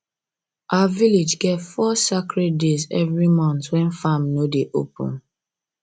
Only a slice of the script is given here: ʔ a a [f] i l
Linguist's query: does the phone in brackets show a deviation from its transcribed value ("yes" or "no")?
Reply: yes